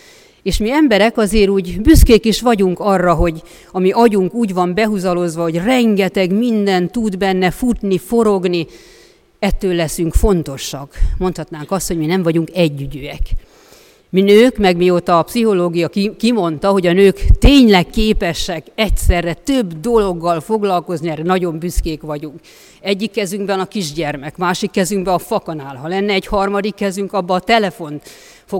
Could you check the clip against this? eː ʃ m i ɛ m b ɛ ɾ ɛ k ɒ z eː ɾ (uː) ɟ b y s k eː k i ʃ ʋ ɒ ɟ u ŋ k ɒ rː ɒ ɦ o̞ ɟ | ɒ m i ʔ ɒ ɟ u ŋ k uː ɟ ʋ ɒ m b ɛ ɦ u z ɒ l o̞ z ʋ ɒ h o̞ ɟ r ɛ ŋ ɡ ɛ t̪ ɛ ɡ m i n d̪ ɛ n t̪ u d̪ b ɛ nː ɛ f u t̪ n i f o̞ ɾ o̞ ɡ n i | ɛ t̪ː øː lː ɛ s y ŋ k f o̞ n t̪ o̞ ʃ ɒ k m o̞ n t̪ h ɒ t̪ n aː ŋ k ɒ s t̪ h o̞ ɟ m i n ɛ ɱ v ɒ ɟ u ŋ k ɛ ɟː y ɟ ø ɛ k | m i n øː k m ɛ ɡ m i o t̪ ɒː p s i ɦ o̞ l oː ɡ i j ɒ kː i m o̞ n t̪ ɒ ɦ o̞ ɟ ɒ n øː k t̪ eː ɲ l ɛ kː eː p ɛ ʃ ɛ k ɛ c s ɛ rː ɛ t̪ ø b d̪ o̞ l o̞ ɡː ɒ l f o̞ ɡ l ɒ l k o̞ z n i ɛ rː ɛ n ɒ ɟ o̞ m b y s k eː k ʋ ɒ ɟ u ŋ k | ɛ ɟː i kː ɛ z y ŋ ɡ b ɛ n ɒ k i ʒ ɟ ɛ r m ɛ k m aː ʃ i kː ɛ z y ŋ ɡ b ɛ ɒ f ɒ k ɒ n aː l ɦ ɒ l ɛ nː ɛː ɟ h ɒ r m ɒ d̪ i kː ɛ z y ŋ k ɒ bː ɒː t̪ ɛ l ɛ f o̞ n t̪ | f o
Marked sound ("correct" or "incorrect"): correct